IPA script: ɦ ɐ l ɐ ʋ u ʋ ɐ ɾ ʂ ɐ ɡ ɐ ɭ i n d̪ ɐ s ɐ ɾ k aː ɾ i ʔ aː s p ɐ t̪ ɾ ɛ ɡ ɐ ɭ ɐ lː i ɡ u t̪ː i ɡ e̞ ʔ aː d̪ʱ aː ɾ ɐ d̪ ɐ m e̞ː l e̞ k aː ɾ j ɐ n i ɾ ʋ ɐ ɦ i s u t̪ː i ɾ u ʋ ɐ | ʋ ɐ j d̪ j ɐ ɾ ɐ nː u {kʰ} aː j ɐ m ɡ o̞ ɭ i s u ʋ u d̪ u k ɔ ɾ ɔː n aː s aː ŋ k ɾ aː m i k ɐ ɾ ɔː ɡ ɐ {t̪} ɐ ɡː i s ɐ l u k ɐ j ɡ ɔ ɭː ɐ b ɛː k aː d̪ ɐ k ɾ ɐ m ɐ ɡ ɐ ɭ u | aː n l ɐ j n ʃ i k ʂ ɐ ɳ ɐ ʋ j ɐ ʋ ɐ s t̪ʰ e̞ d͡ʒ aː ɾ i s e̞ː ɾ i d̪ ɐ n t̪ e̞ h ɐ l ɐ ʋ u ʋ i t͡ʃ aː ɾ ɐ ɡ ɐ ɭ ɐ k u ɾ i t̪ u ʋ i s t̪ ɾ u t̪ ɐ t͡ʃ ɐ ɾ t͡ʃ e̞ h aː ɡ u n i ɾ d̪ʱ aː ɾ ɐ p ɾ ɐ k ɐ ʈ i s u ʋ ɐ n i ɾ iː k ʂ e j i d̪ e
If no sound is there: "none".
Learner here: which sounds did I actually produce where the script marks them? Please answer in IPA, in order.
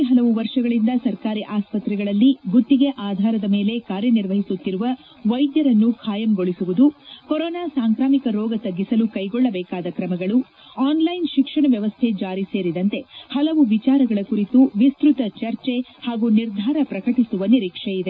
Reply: kʰ, t̪

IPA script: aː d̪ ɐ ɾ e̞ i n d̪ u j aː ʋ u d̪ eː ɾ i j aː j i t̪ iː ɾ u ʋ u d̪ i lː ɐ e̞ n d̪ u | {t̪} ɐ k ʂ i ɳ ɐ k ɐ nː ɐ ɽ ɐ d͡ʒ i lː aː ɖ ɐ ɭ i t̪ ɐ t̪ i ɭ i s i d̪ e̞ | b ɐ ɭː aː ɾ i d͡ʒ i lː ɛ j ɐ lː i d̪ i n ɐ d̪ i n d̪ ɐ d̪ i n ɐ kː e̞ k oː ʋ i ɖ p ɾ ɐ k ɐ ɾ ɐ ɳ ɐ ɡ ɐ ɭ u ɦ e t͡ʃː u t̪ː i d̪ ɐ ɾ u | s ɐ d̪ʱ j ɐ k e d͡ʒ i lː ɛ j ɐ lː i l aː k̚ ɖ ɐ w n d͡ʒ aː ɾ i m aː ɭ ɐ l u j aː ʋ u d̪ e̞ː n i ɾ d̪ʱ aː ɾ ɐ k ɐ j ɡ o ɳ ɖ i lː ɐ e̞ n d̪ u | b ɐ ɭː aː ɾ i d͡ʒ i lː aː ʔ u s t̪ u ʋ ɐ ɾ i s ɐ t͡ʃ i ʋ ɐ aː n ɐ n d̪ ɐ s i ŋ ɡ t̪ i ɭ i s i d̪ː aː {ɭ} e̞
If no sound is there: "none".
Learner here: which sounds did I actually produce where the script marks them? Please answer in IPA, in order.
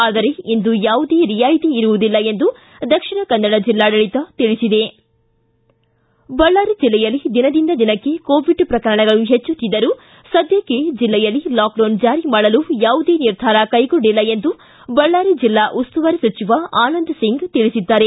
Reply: d̪, ɾ

